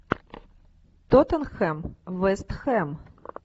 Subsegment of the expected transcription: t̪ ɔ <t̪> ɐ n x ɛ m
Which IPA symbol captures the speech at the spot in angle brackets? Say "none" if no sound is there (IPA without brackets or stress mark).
t̪